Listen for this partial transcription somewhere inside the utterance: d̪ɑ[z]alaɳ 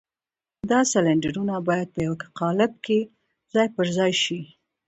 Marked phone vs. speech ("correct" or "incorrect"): incorrect